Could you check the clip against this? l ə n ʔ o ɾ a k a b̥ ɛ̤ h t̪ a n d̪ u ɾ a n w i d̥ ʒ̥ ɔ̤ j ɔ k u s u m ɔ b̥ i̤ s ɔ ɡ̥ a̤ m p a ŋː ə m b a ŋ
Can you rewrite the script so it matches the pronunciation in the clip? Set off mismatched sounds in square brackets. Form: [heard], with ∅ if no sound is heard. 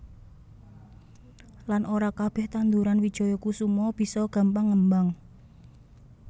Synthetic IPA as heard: l [a] n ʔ o ɾ a k a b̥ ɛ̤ h t̪ a n d̪ u ɾ a n w i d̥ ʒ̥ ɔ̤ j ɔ k u s u m ɔ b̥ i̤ s ɔ ɡ̥ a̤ m p a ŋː ə m b a ŋ